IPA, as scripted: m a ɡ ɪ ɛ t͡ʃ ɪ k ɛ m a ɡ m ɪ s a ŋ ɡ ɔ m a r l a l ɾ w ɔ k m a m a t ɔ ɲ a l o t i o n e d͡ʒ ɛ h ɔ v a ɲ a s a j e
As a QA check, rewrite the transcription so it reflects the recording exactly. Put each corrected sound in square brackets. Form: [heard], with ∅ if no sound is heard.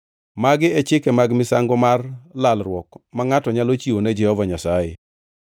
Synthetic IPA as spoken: m a ɡ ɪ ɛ t͡ʃ ɪ k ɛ m a ɡ m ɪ s a ŋ ɡ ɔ m a r l a l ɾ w ɔ k m a [ŋ] a t ɔ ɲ a l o [t͡ʃ] i o n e d͡ʒ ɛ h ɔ v a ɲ a s a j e

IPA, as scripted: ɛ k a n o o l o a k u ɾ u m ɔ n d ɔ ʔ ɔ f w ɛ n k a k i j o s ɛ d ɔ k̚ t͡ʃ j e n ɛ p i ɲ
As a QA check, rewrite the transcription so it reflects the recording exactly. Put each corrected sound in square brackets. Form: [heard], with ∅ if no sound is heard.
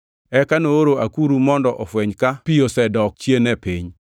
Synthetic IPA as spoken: ɛ k a n o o [ɾ] o a k u ɾ u m ɔ n d ɔ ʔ ɔ f w ɛ [ɲ] k a [p] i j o s ɛ d ɔ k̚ t͡ʃ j e n ɛ p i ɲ

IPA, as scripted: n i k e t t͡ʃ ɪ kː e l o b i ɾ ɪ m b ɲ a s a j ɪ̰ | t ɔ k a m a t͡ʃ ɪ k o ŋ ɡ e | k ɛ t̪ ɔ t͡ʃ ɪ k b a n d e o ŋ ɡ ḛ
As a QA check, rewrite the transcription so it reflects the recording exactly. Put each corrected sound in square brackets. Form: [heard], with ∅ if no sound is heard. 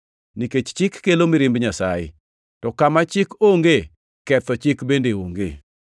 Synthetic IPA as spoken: n i k e [t͡ʃ] t͡ʃ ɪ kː e l o [m] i ɾ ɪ m b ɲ a s a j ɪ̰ | t ɔ k a m a t͡ʃ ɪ k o ŋ ɡ e | k ɛ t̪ ɔ t͡ʃ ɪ k b [e] n d e o ŋ ɡ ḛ

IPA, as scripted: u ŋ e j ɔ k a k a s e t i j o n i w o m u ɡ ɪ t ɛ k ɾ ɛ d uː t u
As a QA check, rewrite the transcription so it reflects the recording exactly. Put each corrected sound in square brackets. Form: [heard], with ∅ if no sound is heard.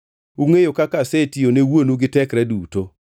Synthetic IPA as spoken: u ŋ e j [o] k a k a s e t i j o n [e] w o [n] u ɡ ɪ t ɛ k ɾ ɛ d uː t [o]

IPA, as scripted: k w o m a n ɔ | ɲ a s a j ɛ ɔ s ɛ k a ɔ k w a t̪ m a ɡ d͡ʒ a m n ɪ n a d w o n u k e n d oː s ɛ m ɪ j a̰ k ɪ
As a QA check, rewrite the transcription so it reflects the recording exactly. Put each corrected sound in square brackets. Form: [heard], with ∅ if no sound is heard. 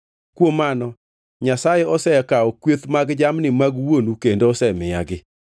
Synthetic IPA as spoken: k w o m a n ɔ | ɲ a s a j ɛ ɔ s ɛ k a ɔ k w [e] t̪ m a ɡ d͡ʒ a m n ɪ [m] a [ɡ] w o n u k e n d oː s ɛ m ɪ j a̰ [ɡ] ɪ

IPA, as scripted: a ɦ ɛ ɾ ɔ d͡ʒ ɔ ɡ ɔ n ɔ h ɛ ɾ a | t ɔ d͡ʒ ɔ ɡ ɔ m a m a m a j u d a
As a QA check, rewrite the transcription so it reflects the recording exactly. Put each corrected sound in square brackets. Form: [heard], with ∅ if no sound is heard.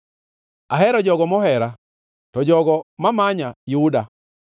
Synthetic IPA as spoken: a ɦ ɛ ɾ ɔ d͡ʒ ɔ ɡ ɔ [m] ɔ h ɛ ɾ a | t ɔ d͡ʒ ɔ ɡ ɔ m a m a [ɲ] a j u d a

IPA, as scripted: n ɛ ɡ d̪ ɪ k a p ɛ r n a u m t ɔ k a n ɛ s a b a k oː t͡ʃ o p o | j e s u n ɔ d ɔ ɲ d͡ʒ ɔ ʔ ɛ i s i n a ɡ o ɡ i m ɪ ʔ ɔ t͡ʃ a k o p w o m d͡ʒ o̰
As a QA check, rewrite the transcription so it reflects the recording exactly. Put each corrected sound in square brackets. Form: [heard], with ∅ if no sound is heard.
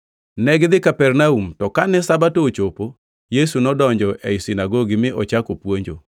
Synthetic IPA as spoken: n ɛ ɡ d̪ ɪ k a p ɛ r n a u m t ɔ k a n ɛ s a b a [t] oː t͡ʃ o p o | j e s u n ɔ d ɔ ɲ d͡ʒ ɔ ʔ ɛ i s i n a ɡ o ɡ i m ɪ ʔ ɔ t͡ʃ a k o p w o [ɲ] d͡ʒ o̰

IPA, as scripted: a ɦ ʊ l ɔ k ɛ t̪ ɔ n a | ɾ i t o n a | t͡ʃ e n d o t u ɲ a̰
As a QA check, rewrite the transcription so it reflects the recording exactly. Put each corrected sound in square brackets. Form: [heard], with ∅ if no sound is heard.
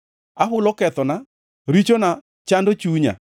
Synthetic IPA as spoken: a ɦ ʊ l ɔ k ɛ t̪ ɔ n a | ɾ i [t͡ʃ] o n a | t͡ʃ [a] n d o [t͡ʃ] u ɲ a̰

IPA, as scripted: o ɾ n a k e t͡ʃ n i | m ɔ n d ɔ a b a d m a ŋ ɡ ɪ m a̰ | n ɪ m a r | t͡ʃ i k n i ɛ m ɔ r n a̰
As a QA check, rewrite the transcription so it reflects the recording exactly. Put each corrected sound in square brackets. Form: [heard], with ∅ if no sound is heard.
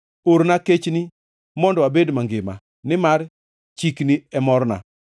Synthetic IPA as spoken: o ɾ n a k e t͡ʃ n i | m ɔ n d ɔ a b [e] d m a ŋ ɡ ɪ m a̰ | n ɪ m a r | t͡ʃ i k n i ɛ m ɔ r n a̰

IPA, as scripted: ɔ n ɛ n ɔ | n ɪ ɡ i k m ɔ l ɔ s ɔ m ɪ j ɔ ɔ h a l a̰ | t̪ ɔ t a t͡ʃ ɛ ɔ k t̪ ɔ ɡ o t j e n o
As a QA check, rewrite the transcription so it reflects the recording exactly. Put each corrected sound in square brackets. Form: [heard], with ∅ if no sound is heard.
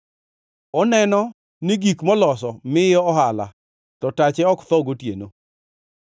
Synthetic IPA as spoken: ɔ n ɛ n ɔ | n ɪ ɡ i k m ɔ l ɔ s ɔ m ɪ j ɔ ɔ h a l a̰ | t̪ ɔ t a t͡ʃ ɛ ɔ k t̪ ɔ ɡ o t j e n o

